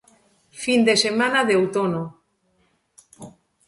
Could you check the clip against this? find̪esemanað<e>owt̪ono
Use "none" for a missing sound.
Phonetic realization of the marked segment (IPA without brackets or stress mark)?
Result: e